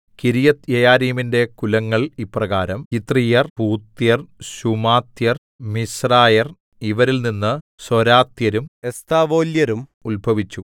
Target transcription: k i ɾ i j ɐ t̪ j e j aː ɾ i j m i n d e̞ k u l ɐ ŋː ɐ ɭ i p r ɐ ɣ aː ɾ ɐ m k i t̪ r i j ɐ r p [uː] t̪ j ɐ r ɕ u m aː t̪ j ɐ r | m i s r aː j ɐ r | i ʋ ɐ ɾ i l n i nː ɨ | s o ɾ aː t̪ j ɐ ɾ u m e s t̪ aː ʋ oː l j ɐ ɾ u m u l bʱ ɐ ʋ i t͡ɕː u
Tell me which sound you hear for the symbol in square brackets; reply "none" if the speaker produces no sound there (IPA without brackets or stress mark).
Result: uː